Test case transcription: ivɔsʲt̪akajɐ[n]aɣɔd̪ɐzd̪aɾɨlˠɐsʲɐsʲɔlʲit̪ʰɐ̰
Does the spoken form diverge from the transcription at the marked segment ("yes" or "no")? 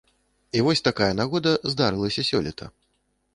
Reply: no